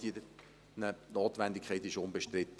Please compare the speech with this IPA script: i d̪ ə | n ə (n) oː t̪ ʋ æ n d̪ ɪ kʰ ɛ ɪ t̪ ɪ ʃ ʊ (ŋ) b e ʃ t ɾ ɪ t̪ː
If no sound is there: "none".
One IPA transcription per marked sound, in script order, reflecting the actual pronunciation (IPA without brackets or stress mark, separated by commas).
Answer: n, n